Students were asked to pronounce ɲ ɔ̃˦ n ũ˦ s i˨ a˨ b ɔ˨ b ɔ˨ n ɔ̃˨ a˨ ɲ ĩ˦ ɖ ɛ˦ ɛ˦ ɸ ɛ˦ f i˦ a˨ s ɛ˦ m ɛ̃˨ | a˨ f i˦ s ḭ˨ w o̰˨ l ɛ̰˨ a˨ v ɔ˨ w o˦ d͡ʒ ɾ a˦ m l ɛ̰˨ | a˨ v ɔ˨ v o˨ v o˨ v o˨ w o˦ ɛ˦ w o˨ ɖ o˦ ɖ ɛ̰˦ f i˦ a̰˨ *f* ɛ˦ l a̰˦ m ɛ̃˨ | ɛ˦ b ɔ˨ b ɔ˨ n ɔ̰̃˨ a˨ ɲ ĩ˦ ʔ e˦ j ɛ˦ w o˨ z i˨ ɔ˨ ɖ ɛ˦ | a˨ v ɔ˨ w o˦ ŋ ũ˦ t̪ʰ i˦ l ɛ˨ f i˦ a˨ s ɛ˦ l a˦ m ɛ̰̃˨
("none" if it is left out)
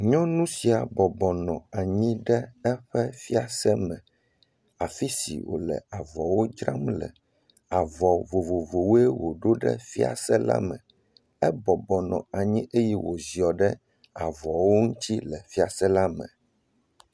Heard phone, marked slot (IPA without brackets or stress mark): s